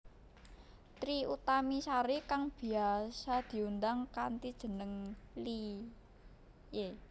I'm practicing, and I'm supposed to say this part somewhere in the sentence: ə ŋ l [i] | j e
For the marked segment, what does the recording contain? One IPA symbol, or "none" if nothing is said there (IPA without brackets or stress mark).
i